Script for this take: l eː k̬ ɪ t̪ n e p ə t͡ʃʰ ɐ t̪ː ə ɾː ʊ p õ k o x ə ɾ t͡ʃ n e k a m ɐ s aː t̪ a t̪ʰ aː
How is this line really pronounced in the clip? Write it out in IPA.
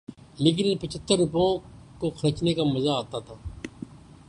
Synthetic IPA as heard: l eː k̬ ɪ n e p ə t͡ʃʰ ə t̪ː ə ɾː ʊ p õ k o x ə ɾ t͡ʃ n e k a m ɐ z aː t̪ a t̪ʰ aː